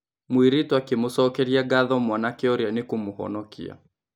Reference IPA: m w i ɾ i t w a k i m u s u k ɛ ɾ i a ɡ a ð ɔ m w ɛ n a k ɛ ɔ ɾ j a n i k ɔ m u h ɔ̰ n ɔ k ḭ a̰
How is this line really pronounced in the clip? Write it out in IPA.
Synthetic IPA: m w i ɾ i t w a k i m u s ɔ k ɛ ɾ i a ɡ a ð ɔ m w a n a k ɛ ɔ ɾ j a n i k u m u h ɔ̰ n ɔ k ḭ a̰